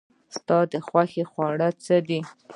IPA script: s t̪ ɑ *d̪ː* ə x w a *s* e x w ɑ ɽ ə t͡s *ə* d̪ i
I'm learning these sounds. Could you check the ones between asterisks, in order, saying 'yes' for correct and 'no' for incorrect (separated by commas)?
no, no, yes